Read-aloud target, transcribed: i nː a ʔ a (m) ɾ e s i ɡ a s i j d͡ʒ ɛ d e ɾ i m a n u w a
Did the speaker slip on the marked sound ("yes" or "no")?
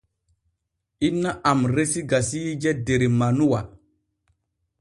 no